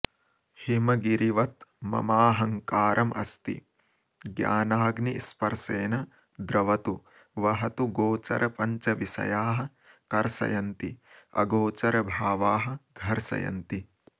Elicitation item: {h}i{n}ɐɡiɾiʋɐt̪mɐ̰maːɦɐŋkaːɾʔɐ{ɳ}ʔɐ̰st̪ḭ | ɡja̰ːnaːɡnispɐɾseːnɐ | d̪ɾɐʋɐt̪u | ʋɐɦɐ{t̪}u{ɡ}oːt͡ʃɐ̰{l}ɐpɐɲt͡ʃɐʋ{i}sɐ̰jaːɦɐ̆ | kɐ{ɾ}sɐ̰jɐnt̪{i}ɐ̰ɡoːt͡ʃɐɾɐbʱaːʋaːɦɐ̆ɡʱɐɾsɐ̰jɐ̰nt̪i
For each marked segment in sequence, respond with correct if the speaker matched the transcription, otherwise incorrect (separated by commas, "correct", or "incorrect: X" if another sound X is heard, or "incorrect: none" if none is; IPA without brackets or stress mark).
correct, incorrect: m, incorrect: m, correct, correct, incorrect: ɾ, correct, correct, correct